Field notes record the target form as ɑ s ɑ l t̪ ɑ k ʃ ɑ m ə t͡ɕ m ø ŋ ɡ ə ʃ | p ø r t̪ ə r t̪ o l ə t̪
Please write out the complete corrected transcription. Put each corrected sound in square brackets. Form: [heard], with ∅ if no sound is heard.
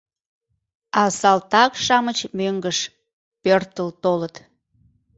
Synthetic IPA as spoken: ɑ s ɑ l t̪ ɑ k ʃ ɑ m ə t͡ɕ m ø ŋ ɡ ə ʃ | p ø r t̪ ə [l] t̪ o l ə t̪